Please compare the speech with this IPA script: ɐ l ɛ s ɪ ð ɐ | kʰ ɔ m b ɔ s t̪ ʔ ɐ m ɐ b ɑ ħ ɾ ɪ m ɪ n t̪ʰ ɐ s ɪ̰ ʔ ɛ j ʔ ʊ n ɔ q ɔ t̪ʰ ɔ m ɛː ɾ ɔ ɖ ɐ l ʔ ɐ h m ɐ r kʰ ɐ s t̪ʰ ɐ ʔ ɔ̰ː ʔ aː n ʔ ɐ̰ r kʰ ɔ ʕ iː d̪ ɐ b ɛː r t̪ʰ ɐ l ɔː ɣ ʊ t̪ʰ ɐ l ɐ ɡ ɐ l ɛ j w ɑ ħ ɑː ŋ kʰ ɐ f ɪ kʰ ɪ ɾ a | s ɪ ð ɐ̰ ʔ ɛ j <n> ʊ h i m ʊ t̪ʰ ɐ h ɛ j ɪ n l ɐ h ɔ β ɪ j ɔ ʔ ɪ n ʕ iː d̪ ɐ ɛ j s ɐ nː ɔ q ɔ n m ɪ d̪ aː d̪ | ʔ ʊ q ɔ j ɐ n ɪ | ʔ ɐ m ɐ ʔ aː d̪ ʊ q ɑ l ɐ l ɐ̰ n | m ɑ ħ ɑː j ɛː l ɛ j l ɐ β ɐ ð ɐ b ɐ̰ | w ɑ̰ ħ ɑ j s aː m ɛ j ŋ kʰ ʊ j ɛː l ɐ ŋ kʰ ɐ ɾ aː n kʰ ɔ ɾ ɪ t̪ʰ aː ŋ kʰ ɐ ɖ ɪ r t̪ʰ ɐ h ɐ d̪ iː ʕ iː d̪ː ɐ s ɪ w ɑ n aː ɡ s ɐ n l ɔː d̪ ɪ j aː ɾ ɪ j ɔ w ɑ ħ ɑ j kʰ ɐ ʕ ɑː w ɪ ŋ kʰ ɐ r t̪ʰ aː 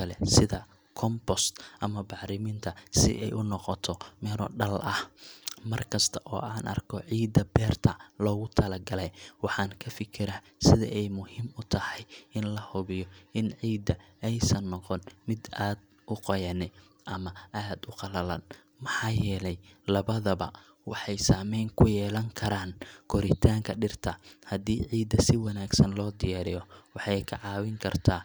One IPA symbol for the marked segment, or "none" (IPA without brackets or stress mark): m